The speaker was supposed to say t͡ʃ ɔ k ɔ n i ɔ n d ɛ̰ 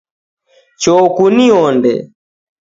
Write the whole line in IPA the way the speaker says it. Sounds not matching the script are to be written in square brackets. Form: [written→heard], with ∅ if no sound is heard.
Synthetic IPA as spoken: t͡ʃ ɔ k [ɔ→u] n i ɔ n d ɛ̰